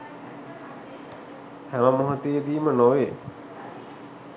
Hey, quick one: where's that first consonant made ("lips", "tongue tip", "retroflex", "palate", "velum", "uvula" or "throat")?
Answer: throat